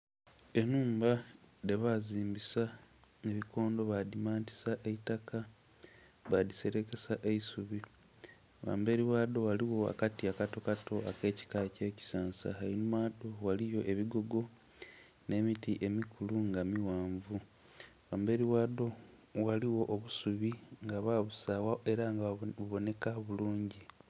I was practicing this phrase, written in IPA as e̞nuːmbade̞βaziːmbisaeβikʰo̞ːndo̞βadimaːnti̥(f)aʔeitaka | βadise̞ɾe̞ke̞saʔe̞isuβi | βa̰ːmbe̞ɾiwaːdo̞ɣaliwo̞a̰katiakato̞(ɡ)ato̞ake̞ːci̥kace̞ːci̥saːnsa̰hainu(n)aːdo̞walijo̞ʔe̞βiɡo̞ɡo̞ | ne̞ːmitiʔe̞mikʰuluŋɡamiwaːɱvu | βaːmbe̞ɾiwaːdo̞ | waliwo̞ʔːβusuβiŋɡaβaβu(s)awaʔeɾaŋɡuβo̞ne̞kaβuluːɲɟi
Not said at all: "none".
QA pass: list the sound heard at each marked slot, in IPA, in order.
s, k, m, s

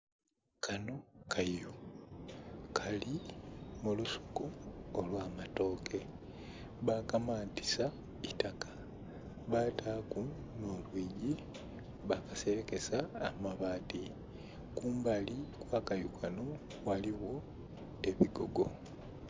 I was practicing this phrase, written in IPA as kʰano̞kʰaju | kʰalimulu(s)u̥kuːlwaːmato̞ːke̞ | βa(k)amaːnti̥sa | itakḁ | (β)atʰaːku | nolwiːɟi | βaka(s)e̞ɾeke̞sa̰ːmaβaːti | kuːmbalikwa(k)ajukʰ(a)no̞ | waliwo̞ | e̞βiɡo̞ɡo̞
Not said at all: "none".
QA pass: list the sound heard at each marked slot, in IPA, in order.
s, k, β, s, k, a

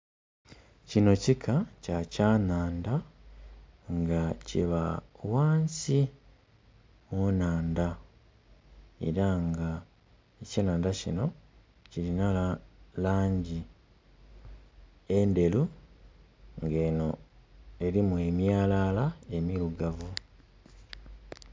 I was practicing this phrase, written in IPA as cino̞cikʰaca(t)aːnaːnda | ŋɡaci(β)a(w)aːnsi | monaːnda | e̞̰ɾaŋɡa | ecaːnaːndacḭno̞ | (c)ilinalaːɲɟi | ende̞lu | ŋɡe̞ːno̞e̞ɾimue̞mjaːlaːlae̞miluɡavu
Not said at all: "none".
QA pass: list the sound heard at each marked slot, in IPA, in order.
c, β, w, c

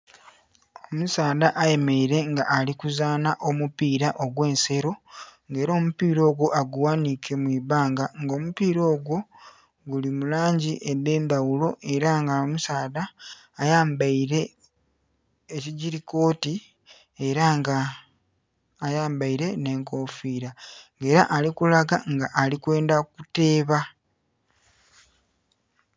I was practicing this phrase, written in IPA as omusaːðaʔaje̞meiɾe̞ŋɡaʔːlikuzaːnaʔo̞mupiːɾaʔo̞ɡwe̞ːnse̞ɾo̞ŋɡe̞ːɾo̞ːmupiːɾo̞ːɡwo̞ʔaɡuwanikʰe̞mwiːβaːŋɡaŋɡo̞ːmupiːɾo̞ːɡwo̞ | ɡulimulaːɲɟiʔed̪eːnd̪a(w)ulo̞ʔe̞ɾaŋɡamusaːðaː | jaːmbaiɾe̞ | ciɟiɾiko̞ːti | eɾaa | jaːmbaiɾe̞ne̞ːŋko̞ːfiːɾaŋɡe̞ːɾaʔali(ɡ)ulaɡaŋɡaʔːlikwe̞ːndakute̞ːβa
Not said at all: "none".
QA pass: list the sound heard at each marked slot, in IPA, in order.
w, k

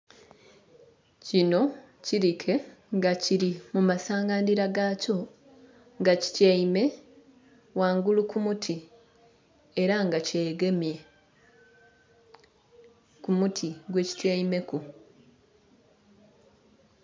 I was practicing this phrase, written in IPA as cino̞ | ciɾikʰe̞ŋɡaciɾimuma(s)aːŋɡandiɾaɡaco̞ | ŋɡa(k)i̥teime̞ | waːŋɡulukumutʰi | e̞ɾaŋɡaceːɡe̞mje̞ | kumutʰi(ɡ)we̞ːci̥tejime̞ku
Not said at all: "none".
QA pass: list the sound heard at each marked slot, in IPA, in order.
s, c, ɡ

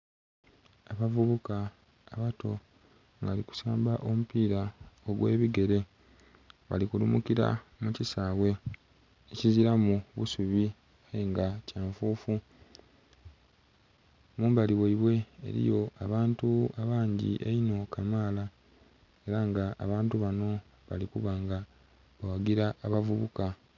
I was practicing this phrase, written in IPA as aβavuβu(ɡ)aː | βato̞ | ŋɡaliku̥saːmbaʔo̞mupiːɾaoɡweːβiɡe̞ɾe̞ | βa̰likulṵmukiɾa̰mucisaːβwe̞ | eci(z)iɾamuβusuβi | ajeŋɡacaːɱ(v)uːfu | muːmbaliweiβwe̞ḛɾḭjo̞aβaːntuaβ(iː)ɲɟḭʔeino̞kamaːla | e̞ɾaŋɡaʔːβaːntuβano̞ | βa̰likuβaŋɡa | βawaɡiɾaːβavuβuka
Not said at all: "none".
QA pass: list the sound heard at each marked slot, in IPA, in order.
k, z, f, aː

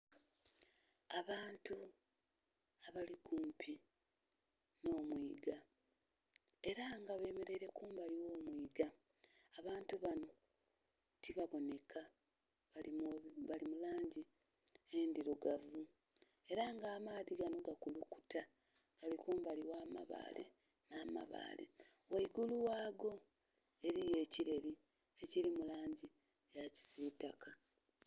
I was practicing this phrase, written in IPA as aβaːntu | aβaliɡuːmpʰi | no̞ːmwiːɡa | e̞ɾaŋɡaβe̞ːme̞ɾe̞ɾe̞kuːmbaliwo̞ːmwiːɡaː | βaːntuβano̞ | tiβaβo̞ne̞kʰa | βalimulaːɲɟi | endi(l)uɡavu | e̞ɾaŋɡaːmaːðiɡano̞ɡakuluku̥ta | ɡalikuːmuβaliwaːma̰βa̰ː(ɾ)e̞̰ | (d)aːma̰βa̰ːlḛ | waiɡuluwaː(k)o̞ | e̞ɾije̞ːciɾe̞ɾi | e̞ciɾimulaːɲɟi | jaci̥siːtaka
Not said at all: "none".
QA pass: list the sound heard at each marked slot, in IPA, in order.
ɾ, l, n, ɡ

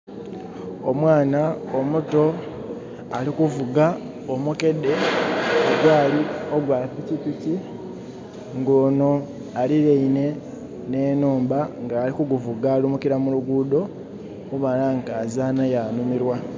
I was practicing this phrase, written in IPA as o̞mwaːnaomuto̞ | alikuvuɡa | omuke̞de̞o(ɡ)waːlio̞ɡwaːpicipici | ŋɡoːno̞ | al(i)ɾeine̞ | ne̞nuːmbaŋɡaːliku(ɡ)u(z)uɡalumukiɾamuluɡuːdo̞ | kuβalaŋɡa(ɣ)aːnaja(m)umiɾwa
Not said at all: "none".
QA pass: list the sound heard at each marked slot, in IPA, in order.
ɡ, i, ɡ, v, z, n

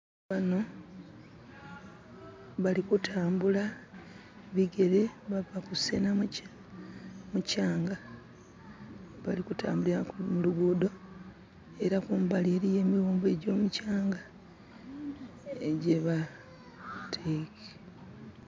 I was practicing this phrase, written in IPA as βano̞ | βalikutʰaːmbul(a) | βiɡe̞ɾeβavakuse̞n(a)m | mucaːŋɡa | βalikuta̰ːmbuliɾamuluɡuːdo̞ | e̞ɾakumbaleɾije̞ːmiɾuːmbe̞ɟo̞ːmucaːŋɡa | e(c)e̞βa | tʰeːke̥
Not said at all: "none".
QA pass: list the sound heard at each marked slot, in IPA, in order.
a, a, ɟ

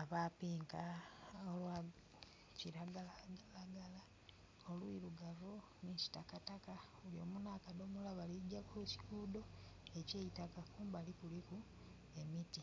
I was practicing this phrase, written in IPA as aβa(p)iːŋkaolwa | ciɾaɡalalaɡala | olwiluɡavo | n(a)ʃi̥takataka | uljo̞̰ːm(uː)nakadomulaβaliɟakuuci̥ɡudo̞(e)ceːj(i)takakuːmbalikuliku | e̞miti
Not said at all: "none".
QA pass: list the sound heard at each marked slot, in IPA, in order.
p, i, u, e, i

